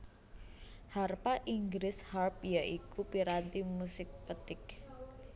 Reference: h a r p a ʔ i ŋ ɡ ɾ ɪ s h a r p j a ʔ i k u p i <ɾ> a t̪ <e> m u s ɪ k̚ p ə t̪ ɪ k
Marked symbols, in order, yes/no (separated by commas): yes, no